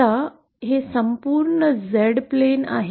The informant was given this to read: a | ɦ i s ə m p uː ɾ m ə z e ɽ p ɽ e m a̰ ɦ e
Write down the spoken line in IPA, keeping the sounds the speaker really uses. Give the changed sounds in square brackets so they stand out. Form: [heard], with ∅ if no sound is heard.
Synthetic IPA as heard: a | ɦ [e] s ə m p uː ɾ [ɳ] ə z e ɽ p [l] e [n] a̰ ɦ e